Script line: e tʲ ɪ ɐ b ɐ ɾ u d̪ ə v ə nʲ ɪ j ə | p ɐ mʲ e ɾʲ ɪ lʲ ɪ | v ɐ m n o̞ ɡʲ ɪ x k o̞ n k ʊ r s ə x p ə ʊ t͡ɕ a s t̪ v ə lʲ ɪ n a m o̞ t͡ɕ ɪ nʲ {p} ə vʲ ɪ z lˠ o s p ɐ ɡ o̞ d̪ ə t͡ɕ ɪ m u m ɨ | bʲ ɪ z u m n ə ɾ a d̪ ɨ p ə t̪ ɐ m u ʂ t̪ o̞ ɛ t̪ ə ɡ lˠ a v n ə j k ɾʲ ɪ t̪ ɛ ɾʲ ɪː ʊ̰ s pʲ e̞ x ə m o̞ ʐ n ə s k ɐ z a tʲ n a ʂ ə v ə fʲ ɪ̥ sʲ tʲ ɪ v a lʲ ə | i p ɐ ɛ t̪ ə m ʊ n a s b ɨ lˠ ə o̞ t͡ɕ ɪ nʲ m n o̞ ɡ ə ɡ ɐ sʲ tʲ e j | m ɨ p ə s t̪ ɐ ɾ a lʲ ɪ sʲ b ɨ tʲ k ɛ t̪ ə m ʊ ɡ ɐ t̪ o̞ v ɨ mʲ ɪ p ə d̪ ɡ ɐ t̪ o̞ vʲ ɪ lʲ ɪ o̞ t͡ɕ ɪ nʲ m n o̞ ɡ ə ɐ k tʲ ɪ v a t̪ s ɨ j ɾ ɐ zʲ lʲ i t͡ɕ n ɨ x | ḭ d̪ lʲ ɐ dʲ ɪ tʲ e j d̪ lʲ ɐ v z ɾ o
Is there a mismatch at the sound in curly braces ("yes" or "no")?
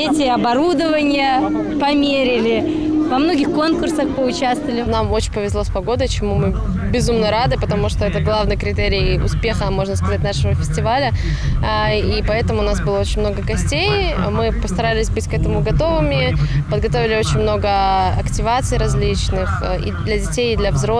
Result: no